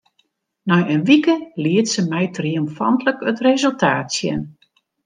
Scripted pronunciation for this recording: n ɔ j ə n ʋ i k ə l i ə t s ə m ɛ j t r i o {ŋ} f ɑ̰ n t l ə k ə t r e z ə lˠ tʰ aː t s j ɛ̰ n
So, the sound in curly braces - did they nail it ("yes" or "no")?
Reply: no